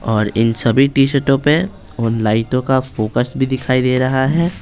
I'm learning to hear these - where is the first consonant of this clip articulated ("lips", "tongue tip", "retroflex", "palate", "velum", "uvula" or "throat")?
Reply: tongue tip